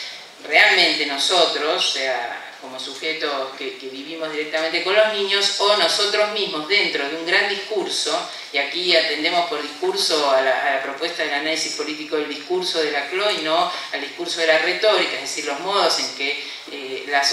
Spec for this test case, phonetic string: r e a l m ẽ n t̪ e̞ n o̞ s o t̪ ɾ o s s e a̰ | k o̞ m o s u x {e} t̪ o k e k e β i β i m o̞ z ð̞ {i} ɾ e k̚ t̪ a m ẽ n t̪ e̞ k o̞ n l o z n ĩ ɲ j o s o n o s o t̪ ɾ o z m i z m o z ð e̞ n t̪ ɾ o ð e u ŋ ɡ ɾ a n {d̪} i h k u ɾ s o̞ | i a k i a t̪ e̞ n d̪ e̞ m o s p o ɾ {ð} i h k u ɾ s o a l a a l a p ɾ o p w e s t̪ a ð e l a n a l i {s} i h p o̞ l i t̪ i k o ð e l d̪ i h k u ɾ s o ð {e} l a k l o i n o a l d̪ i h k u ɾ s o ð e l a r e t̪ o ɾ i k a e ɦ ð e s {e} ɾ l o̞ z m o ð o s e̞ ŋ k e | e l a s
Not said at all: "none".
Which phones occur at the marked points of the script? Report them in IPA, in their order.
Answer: e, i, d̪, ð, s, e, i

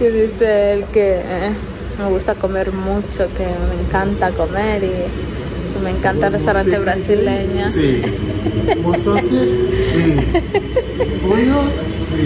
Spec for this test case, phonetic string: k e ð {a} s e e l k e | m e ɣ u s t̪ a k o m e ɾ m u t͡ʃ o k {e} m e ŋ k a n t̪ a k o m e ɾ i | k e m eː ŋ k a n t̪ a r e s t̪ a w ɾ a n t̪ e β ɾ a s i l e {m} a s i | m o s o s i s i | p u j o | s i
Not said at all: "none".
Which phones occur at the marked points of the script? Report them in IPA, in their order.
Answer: i, e, ɲ

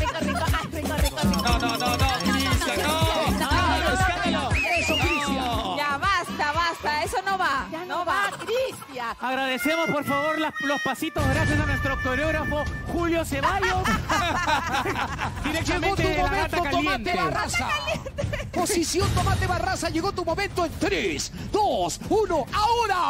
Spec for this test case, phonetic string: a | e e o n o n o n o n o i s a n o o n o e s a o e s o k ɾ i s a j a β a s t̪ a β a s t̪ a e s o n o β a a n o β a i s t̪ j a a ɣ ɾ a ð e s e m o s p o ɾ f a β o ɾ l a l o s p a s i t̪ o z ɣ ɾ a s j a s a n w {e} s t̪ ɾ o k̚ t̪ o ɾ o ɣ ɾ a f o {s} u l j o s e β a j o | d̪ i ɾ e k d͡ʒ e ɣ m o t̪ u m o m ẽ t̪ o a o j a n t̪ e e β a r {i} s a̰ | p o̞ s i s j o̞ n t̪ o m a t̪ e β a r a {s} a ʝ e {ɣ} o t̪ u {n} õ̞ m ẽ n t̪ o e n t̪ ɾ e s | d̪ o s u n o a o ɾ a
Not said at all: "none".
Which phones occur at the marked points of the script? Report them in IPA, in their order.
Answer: e, x, a, s, ɣ, m

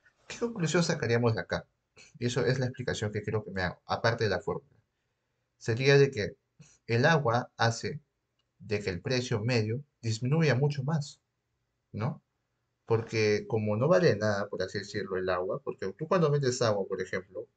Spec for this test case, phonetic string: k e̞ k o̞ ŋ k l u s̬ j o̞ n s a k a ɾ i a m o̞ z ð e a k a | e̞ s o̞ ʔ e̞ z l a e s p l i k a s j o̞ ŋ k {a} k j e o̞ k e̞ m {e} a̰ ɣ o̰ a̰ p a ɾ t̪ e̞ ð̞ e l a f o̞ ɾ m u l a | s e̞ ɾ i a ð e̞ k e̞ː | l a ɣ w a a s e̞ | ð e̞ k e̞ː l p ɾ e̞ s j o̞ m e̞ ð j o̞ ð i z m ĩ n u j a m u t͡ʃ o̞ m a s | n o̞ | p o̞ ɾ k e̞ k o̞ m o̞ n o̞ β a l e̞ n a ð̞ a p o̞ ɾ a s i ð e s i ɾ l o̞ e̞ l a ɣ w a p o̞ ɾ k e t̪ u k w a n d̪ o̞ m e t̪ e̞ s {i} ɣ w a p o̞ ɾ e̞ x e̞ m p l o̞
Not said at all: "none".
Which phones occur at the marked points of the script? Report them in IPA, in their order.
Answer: e, e, a

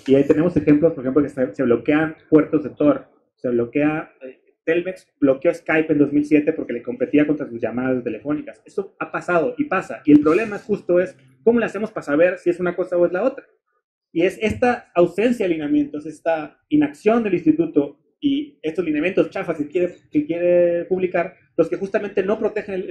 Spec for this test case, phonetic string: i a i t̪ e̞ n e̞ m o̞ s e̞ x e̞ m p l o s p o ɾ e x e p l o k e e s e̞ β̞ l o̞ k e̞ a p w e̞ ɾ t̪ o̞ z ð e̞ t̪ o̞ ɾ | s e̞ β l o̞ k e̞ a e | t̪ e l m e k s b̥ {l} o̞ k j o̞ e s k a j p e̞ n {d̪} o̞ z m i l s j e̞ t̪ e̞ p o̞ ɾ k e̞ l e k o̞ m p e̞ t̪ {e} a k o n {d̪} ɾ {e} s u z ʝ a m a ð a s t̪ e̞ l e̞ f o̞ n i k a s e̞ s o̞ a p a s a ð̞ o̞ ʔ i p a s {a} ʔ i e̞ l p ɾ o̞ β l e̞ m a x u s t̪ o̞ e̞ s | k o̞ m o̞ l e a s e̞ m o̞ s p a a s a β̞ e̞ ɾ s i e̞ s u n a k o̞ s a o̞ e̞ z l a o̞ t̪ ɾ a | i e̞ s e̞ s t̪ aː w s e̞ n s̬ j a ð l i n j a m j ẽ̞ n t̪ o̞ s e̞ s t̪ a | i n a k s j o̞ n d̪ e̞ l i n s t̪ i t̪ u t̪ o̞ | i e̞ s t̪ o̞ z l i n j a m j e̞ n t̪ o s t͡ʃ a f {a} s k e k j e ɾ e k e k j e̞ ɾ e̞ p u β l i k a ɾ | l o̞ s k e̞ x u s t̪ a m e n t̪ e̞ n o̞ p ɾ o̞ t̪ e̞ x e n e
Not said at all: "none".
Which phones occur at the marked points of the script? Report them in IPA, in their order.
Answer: l, d̪, i, t̪, a, a, a

